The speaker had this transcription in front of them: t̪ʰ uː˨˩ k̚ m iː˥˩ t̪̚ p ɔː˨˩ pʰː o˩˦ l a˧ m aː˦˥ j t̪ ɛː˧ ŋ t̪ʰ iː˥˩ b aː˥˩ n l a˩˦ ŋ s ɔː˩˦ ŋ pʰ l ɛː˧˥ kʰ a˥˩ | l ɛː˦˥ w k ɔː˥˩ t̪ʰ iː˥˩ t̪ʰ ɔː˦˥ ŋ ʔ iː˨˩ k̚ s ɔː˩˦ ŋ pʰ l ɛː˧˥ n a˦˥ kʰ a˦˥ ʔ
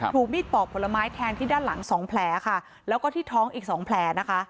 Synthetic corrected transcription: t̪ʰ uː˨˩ k̚ m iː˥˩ t̪̚ p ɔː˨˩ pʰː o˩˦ l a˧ m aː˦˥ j t̪ʰ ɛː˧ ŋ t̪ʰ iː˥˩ d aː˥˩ n l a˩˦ ŋ s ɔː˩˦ ŋ pʰ l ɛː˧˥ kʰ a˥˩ | l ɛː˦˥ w k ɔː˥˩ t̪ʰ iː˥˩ t̪ʰ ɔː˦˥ ŋ ʔ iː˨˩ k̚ s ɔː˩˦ ŋ pʰ l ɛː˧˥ n a˦˥ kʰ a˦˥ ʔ